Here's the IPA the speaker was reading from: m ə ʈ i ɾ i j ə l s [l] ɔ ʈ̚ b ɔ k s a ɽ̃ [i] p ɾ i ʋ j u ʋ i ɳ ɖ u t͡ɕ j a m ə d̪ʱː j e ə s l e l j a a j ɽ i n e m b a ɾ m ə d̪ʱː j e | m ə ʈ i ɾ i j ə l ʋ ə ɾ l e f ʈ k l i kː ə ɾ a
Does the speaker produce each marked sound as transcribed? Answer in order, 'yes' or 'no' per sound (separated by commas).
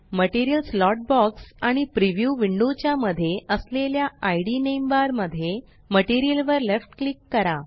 yes, yes